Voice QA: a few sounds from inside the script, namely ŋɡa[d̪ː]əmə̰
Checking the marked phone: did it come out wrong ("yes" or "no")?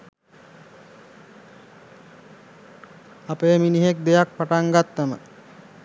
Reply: yes